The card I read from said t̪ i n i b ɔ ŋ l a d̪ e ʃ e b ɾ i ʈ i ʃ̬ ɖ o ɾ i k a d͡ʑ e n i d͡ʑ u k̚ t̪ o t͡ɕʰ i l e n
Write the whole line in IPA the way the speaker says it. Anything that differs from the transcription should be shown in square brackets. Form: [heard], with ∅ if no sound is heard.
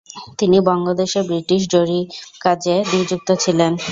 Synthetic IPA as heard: t̪ i n i b ɔ ŋ l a d̪ e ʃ e b ɾ i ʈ i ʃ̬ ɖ o ɾ i k a d͡ʑ e n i d͡ʑ u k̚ t̪ o t͡ɕʰ i l e n